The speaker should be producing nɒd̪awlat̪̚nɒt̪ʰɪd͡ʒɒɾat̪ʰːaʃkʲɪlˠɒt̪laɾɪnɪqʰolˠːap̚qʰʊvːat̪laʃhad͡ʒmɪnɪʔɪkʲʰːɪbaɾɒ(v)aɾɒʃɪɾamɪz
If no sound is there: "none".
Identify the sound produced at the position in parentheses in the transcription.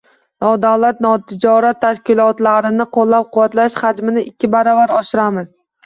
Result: v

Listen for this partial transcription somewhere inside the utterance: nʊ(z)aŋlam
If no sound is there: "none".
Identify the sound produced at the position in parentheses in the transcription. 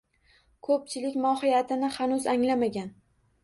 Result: z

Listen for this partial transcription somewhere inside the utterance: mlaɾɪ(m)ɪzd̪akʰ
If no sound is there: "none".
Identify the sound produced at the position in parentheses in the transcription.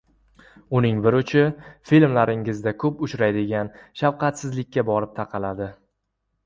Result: ŋ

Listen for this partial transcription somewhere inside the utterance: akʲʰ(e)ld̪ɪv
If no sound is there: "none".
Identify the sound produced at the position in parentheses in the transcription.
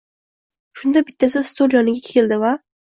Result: e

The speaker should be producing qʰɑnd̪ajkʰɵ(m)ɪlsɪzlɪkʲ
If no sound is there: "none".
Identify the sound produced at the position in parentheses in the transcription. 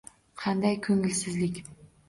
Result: ŋ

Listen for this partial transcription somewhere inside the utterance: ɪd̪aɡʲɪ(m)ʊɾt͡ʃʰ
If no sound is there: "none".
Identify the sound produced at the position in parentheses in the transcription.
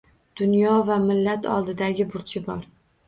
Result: b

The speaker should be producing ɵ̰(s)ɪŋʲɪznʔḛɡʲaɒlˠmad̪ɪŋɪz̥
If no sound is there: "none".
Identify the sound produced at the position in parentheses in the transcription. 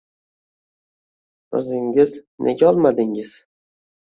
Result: z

